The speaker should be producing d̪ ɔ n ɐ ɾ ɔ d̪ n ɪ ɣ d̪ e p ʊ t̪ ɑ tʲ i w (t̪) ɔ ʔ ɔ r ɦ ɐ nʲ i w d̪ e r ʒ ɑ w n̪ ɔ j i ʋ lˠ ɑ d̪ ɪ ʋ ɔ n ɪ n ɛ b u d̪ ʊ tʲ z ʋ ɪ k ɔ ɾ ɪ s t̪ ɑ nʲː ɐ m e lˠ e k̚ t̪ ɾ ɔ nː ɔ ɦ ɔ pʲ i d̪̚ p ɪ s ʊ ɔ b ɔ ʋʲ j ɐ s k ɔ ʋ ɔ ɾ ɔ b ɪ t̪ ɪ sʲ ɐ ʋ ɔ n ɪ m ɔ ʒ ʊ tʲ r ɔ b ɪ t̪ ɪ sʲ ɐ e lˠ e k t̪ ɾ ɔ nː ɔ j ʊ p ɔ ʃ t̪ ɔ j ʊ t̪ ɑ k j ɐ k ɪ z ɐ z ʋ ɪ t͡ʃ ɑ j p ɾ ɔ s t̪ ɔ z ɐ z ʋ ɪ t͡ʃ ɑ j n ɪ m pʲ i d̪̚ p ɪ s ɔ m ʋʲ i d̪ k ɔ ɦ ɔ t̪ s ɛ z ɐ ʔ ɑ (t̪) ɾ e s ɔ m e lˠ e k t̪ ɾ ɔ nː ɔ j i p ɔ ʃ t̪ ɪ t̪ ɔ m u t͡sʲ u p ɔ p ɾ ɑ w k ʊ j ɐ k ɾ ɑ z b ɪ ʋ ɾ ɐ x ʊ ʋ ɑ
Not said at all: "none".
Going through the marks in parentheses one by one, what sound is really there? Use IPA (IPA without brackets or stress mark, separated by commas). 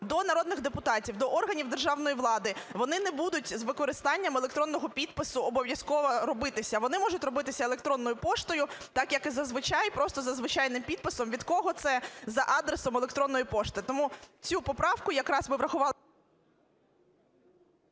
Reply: d̪, d̪